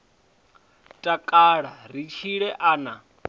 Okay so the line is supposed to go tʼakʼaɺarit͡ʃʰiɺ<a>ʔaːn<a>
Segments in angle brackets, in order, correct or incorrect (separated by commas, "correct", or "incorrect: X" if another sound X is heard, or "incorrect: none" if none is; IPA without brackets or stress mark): incorrect: ɛ, correct